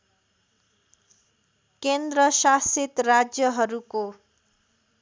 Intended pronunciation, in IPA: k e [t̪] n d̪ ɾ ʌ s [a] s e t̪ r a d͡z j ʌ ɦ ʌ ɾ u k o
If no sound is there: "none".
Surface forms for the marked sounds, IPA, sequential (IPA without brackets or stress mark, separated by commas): none, a